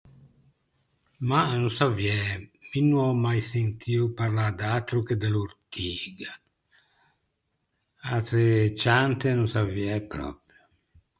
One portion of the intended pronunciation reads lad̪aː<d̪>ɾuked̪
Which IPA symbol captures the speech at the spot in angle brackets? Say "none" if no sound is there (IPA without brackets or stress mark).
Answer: t̪